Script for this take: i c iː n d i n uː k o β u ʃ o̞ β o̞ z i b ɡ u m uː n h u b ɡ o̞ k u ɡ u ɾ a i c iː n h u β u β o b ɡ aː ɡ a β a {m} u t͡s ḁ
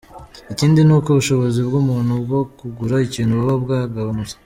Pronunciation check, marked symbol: incorrect: n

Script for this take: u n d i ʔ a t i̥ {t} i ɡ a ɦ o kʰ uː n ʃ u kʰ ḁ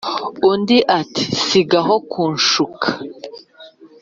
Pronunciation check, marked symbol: incorrect: s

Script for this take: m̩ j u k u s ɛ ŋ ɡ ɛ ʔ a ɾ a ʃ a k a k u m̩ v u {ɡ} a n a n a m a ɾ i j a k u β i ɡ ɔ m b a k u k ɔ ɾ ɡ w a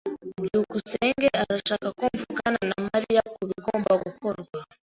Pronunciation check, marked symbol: incorrect: k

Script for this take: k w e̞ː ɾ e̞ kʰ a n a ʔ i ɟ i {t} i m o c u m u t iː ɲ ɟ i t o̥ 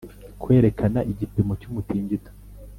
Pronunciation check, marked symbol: incorrect: p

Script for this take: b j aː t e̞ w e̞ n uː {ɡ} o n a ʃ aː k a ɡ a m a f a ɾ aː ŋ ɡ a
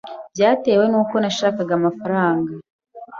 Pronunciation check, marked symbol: incorrect: k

